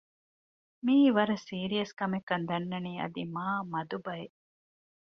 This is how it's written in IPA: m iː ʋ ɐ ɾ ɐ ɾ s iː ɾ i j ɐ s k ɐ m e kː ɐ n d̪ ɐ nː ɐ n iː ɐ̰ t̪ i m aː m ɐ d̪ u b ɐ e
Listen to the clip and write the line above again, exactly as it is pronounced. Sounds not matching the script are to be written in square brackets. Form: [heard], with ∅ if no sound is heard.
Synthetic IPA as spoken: m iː ʋ ɐ ɾ ɐ [∅] s iː ɾ i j ɐ s k ɐ m e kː ɐ n d̪ ɐ nː ɐ n iː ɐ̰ [d̪] i m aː m ɐ d̪ u b ɐ e